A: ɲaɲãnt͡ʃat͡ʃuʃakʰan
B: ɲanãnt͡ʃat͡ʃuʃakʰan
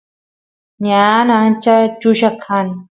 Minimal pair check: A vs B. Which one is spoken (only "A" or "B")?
B